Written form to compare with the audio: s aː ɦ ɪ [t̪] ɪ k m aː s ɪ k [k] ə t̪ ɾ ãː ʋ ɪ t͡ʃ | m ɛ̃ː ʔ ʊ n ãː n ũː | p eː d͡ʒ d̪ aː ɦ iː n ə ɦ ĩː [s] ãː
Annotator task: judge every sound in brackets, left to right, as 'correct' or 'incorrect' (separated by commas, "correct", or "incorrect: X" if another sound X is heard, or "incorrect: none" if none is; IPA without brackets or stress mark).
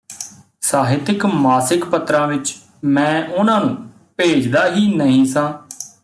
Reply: correct, incorrect: p, correct